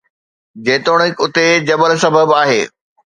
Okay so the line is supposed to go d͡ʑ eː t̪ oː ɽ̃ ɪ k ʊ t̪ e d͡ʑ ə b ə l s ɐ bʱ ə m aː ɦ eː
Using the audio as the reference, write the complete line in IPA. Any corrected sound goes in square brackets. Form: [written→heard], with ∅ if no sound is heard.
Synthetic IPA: d͡ʑ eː t̪ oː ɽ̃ ɪ k ʊ t̪ e d͡ʑ [ə→ɐ] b ə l s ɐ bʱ ə [m→b] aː ɦ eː